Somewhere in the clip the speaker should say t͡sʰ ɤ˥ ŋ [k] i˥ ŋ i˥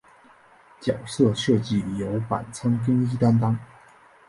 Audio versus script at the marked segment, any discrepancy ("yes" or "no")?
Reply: no